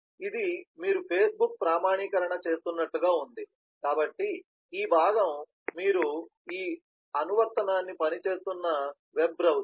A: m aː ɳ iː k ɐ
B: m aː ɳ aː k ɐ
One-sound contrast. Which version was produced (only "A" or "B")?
A